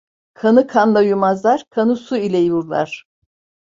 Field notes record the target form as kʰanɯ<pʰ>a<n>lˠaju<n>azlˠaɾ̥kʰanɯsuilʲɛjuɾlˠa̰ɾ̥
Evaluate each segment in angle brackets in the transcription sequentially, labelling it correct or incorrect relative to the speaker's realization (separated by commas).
incorrect, correct, incorrect